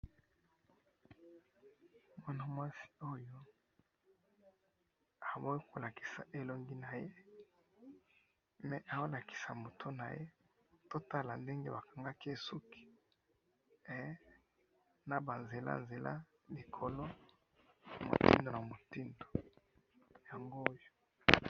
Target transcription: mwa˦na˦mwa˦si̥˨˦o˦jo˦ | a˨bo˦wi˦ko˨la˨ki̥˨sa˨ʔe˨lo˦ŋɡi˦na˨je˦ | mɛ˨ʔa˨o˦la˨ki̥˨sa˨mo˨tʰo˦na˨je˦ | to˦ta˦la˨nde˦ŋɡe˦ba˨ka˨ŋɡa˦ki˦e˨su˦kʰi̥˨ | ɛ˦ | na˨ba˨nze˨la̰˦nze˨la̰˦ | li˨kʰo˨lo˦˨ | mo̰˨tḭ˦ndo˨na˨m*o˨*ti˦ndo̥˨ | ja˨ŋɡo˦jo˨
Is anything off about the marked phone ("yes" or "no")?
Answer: no